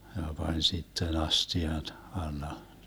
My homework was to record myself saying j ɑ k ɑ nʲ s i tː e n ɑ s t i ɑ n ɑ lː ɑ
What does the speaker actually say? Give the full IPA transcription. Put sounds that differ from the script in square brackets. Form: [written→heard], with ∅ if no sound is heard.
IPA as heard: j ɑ [k→p] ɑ nʲ s i tː e n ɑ s t i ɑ n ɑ lː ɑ